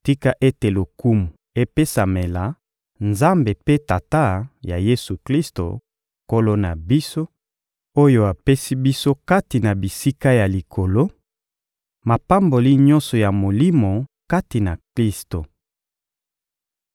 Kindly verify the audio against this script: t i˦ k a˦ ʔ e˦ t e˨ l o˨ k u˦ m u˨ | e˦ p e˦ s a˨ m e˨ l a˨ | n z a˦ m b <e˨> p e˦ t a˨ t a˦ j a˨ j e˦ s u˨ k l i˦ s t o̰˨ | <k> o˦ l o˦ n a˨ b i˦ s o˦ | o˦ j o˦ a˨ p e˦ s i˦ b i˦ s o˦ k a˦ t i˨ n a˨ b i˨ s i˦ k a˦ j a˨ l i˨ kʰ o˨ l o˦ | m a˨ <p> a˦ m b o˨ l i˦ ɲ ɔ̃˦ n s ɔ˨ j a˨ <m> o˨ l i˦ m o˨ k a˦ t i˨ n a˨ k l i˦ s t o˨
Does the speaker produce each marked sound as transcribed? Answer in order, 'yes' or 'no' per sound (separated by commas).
yes, yes, yes, yes